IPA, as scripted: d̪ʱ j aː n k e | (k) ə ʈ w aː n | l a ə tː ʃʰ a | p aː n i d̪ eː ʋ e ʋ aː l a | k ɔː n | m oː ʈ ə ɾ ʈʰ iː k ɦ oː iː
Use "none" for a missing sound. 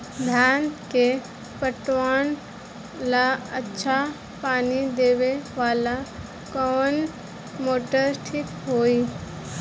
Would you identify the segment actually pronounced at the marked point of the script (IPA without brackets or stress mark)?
p